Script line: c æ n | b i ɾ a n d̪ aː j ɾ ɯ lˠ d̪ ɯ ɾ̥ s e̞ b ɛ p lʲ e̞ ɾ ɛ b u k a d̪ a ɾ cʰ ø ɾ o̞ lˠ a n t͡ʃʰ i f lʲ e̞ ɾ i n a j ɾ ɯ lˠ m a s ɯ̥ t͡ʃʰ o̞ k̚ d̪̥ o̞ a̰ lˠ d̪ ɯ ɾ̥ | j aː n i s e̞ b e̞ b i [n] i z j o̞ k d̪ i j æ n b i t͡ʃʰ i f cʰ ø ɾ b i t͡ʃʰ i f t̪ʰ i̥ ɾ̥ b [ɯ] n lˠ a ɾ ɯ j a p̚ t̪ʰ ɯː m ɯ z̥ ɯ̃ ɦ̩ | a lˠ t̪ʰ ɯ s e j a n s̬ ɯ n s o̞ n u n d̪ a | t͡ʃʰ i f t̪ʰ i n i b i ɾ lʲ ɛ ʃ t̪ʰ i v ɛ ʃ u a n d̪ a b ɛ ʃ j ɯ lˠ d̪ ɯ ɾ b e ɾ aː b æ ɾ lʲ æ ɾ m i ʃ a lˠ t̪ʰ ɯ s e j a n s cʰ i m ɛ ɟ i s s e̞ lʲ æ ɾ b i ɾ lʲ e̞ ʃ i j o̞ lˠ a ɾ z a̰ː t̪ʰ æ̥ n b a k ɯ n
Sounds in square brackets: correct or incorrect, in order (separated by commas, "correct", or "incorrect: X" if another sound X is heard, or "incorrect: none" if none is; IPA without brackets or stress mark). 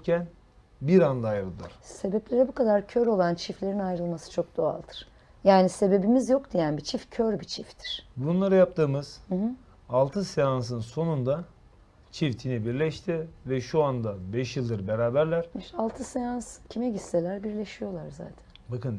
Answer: incorrect: m, incorrect: u